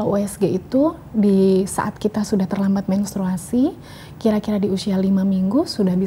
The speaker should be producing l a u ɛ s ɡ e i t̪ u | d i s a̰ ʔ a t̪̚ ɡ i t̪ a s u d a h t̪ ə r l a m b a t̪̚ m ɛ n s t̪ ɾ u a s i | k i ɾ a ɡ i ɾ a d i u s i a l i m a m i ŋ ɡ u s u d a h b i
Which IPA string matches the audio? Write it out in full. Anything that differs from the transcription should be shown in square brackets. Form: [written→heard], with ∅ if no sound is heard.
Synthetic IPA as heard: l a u ɛ s ɡ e i t̪ u | d i s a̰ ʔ a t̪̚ [ɡ→k] i t̪ a s u d a h t̪ ə r l a m b a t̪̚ m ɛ n s t̪ ɾ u a s i | k i ɾ a [ɡ→k] i ɾ a d i u s i a l i m a m i ŋ ɡ u s u d a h b i